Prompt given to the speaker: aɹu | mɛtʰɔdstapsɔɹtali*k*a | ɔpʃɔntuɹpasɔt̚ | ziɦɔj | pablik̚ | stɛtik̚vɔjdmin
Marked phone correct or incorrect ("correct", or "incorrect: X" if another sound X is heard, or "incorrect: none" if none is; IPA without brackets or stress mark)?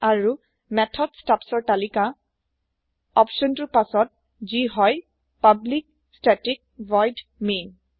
correct